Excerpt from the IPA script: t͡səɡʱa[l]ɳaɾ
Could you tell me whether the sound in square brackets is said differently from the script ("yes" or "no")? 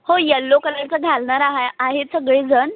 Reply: no